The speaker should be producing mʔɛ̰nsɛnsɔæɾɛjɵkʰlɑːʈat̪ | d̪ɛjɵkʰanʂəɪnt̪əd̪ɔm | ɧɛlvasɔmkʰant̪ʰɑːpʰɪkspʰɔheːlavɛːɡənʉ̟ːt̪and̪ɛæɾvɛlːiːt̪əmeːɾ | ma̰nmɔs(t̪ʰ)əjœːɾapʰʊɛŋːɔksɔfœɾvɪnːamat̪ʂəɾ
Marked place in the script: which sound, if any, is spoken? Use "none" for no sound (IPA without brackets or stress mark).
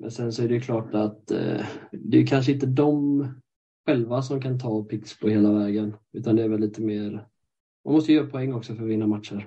t̪